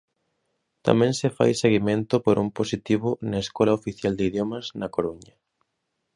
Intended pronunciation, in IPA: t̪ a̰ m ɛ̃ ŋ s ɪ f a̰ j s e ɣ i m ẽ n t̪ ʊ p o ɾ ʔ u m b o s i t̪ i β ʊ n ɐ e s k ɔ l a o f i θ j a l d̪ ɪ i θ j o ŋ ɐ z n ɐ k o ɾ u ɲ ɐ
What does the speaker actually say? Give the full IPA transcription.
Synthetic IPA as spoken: t̪ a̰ m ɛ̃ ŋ s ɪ f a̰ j s e ɣ i m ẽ n t̪ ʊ p o ɾ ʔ u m p o s i t̪ i β ʊ n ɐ e s k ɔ l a o f i θ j a l d̪ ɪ i ð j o m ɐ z n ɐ k o ɾ u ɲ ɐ